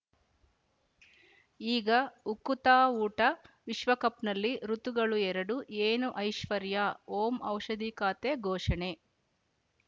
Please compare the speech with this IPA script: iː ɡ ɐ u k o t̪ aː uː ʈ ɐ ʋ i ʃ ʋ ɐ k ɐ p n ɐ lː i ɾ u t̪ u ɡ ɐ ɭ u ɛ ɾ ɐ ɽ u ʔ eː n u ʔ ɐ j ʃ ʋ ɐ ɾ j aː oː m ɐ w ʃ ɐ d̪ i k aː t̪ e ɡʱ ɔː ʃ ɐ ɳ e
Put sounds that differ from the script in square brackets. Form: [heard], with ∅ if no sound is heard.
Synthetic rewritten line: iː ɡ ɐ u k [u] t̪ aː uː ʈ ɐ ʋ i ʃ ʋ ɐ k ɐ p n ɐ lː i ɾ u t̪ u ɡ ɐ ɭ u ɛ ɾ ɐ ɽ u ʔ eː n u ʔ ɐ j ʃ ʋ ɐ ɾ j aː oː m ɐ w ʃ ɐ d̪ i k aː t̪ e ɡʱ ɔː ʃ ɐ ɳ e

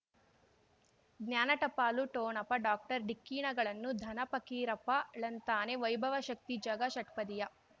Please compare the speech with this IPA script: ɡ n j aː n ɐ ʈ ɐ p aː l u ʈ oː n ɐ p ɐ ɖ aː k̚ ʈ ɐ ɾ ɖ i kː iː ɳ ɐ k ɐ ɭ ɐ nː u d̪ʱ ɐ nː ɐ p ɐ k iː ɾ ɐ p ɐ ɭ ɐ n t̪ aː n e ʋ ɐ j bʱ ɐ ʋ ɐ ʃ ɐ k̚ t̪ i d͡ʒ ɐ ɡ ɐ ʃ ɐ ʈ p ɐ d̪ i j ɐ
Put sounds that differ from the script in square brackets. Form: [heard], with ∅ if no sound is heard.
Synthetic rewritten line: ɡ n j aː n ɐ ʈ ɐ p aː l u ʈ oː n ɐ p ɐ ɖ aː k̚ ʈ ɐ ɾ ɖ i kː iː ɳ ɐ [ɡ] ɐ ɭ ɐ nː u d̪ʱ ɐ [n] ɐ p ɐ k iː ɾ ɐ p ɐ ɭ ɐ n t̪ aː n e ʋ ɐ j bʱ ɐ ʋ ɐ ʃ ɐ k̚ t̪ i d͡ʒ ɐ ɡ ɐ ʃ ɐ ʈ p ɐ d̪ i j ɐ

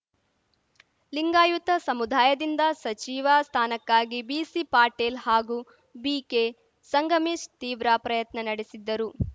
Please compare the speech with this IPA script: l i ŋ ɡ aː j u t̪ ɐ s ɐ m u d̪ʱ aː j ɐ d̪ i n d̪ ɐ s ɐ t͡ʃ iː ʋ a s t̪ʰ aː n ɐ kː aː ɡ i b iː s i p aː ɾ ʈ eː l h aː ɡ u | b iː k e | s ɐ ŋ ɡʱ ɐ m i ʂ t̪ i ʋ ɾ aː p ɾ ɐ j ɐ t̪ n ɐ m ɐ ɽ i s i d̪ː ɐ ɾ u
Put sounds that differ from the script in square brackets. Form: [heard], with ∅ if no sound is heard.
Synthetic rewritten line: l i ŋ ɡ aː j u t̪ ɐ s ɐ m u d̪ʱ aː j ɐ d̪ i n d̪ ɐ s ɐ t͡ʃ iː ʋ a s t̪ʰ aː n ɐ kː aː ɡ i b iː s i p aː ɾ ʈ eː l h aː ɡ u | b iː k e | s ɐ ŋ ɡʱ ɐ m i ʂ t̪ [iː] ʋ ɾ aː p ɾ ɐ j ɐ t̪ n ɐ [n] ɐ ɽ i s i d̪ː ɐ ɾ u

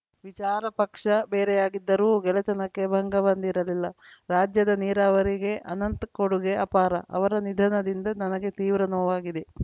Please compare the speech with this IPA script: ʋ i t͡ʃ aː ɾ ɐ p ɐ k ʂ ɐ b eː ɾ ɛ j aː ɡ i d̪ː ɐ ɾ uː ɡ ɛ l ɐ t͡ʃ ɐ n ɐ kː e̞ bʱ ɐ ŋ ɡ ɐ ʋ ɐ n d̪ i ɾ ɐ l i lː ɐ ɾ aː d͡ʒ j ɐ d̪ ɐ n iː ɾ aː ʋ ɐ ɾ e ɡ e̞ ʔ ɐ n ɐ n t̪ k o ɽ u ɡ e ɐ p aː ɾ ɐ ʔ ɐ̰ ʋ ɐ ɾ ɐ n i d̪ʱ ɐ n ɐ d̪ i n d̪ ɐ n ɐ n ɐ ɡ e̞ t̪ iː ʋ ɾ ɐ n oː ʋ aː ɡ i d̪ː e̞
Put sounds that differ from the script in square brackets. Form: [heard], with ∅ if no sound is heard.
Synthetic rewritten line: ʋ i t͡ʃ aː ɾ ɐ p ɐ k ʂ ɐ b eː ɾ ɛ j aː ɡ i d̪ː ɐ ɾ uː ɡ ɛ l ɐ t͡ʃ ɐ n ɐ kː e̞ bʱ ɐ ŋ ɡ ɐ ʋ ɐ n d̪ i ɾ ɐ l i lː ɐ ɾ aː d͡ʒ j ɐ d̪ ɐ n iː ɾ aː ʋ ɐ ɾ [i] ɡ e̞ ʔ ɐ n ɐ n t̪ k o ɽ u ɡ e ɐ p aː ɾ ɐ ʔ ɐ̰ ʋ ɐ ɾ ɐ n i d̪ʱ ɐ n ɐ d̪ i n d̪ ɐ n ɐ n ɐ ɡ e̞ t̪ iː ʋ ɾ ɐ n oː ʋ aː ɡ i [d̪] e̞

